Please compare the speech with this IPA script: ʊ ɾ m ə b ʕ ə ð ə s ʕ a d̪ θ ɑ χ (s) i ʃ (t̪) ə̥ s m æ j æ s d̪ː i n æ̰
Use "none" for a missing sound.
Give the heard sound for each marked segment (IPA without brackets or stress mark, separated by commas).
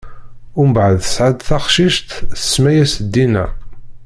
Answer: ʃ, t̪